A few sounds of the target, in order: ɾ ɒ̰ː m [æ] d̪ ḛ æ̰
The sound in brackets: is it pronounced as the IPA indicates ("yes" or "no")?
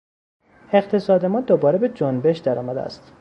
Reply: yes